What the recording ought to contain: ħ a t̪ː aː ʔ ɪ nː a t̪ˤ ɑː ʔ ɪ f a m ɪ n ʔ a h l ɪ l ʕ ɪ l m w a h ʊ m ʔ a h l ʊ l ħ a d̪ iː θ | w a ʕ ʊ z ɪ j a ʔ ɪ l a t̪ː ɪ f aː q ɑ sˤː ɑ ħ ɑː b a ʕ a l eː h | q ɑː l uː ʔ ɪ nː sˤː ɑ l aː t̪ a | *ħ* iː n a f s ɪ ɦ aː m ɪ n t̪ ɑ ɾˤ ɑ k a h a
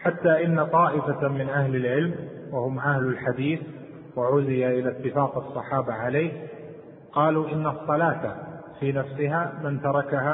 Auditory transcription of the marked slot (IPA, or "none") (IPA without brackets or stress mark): f